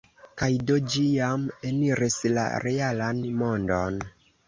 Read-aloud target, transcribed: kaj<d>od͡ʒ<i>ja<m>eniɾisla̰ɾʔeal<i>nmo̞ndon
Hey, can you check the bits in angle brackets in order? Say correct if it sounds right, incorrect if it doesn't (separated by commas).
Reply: correct, correct, correct, incorrect